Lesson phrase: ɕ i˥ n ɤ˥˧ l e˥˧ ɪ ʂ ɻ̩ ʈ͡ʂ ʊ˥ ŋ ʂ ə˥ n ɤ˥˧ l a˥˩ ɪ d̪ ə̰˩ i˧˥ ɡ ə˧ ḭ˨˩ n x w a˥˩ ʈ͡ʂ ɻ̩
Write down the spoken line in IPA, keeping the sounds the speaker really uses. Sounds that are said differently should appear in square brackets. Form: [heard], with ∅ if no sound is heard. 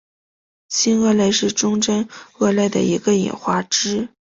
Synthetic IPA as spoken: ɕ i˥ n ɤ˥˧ l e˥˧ ɪ ʂ ɻ̩ ʈ͡ʂ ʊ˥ ŋ [ʈ͡ʂ] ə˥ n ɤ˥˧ l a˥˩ ɪ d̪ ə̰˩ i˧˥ ɡ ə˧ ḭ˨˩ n x w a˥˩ ʈ͡ʂ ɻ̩